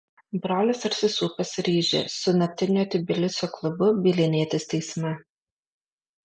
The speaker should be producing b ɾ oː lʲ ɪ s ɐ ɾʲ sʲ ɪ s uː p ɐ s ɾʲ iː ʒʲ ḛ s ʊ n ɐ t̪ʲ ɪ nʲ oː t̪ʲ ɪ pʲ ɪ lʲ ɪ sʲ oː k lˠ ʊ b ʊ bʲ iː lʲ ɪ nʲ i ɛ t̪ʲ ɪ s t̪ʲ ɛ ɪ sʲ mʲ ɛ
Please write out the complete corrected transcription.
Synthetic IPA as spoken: b ɾ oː lʲ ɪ s ɐ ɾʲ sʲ ɪ s uː p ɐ s ɾʲ iː ʒʲ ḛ s ʊ n ɐ t̪ʲ ɪ nʲ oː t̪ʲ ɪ bʲ ɪ lʲ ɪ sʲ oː k lˠ ʊ b ʊ bʲ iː lʲ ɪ nʲ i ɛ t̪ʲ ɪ s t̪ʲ ɛ ɪ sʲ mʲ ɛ